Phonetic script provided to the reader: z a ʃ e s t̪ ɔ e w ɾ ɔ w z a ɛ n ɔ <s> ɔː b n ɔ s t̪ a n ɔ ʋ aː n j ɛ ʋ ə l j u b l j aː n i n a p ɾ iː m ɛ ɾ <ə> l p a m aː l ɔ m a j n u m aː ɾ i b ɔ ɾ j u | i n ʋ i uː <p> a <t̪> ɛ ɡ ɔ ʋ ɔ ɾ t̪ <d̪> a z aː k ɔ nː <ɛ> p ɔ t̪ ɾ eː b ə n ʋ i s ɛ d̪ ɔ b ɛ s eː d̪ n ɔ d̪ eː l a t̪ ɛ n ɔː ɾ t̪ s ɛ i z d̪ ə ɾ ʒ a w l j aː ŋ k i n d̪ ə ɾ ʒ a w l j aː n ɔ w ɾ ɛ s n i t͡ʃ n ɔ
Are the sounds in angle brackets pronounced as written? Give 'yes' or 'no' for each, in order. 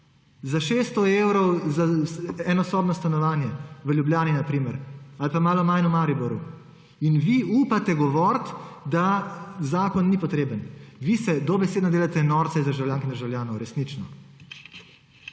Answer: yes, no, yes, yes, yes, no

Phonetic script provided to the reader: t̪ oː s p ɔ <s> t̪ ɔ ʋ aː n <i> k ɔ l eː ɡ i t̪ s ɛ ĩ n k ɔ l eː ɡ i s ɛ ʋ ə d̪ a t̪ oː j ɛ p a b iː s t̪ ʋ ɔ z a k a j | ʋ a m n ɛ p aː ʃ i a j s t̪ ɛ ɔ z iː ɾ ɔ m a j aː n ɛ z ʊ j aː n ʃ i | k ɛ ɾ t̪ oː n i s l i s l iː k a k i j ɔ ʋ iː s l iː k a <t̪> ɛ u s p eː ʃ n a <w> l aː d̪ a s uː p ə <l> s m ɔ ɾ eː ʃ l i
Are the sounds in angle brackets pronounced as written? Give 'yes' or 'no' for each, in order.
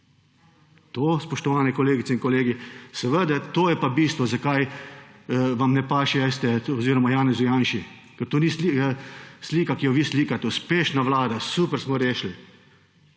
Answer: no, no, yes, no, no

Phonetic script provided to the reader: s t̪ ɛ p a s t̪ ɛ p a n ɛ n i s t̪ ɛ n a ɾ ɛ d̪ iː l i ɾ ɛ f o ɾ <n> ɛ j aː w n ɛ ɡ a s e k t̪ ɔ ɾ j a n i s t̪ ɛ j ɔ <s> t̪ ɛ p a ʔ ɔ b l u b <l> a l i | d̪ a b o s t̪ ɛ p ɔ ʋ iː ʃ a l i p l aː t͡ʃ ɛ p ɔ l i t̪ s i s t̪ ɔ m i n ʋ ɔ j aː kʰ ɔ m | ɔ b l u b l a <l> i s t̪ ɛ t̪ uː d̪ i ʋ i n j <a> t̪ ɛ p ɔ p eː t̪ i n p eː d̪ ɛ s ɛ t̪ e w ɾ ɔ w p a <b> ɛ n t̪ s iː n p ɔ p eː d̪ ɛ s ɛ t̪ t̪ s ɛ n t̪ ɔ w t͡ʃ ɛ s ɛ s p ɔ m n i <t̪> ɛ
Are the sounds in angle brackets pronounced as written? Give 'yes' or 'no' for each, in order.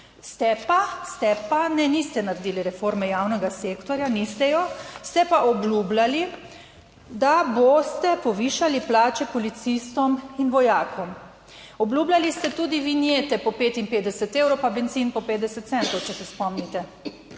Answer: no, yes, yes, yes, no, yes, yes

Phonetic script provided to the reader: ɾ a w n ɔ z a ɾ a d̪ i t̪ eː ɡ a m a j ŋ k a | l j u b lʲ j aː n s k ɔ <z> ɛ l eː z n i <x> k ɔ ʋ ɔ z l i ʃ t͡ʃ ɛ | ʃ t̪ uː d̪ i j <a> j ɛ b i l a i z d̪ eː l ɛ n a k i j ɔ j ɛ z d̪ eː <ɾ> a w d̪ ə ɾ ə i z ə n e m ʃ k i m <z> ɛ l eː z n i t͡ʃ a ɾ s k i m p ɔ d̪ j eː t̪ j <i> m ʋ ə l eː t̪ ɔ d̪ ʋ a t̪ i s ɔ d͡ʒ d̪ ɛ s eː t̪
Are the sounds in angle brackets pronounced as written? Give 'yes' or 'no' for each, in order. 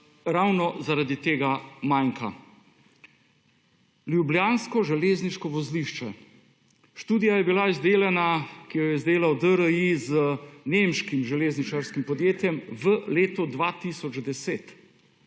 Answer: no, no, yes, no, no, no

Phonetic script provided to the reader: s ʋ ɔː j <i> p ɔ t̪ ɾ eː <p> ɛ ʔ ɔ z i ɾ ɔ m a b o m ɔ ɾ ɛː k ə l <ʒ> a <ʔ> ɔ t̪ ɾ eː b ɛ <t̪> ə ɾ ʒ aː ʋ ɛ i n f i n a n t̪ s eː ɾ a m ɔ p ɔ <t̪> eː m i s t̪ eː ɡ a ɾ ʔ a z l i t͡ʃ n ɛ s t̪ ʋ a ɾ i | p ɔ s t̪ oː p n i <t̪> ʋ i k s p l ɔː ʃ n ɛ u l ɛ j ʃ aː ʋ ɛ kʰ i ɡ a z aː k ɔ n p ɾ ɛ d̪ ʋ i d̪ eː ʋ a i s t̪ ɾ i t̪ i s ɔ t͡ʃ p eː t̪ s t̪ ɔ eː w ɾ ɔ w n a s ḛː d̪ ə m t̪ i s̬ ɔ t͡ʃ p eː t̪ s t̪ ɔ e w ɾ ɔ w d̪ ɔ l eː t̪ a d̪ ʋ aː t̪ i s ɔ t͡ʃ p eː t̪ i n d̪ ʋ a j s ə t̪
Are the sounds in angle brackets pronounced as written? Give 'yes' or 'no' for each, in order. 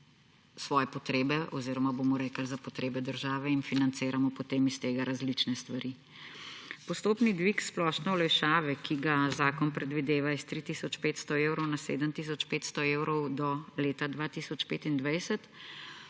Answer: no, no, no, no, no, yes, no

